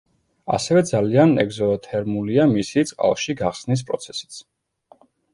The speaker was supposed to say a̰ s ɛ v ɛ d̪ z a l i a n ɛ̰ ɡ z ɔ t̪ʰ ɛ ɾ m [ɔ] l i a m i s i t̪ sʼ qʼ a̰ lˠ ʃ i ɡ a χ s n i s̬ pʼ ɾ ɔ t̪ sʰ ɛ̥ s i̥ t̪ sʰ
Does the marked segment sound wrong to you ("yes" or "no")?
yes